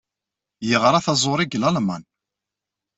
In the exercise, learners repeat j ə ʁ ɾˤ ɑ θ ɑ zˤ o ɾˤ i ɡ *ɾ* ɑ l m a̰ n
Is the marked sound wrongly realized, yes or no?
yes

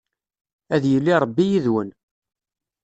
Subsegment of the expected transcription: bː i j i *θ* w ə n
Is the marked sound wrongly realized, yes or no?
yes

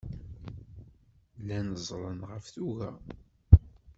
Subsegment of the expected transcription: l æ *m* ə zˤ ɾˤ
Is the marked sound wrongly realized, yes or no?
yes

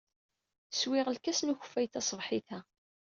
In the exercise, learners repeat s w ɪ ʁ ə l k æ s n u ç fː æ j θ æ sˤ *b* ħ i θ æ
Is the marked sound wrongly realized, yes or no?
yes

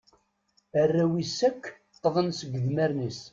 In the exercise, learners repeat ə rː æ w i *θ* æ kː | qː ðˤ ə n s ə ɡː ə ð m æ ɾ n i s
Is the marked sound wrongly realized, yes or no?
yes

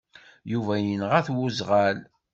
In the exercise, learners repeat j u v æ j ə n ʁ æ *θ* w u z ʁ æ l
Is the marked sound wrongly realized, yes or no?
no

